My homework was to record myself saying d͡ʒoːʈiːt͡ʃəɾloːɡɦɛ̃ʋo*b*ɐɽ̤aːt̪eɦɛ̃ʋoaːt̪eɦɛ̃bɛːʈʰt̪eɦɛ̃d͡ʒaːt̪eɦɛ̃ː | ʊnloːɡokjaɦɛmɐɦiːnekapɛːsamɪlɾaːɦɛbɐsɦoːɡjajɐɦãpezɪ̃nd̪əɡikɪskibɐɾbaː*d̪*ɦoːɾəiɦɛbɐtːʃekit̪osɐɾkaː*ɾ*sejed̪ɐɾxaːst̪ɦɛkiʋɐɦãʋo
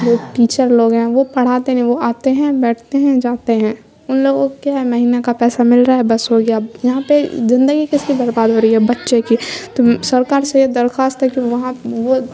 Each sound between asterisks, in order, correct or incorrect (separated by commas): incorrect, correct, correct